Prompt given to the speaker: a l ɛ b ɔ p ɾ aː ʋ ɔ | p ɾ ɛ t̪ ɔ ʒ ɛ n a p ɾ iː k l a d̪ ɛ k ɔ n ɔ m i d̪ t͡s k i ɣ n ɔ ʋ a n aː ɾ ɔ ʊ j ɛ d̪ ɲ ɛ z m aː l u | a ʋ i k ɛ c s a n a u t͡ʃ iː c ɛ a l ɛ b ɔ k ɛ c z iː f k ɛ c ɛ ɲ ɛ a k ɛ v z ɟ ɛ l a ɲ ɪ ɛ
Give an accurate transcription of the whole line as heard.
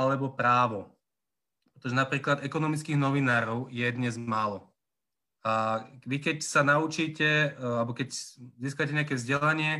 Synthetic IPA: a l ɛ b ɔ p ɾ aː ʋ ɔ | p ɾ ɛ t̪ ɔ ʒ ɛ n a p ɾ iː k l a d̪ ɛ k ɔ n ɔ m i t͡s k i ɣ n ɔ ʋ i n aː ɾ ɔ ʊ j ɛ d̪ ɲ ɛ z m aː l ɔ | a ʋ i k ɛ c s a n a u t͡ʃ iː c ɛ a l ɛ b ɔ k ɛ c z iː s k a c ɛ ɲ ɛ a k ɛ v z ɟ ɛ l a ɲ ɪ ɛ